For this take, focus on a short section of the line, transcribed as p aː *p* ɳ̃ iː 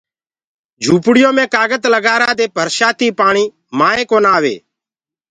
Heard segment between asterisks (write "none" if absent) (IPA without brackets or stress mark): none